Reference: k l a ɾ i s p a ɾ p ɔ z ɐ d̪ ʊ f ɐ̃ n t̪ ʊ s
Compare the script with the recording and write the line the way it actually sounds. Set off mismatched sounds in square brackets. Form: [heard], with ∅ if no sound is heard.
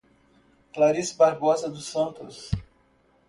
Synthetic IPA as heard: k l a ɾ i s [b] a ɾ [b] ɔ z ɐ d̪ ʊ [s] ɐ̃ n t̪ ʊ s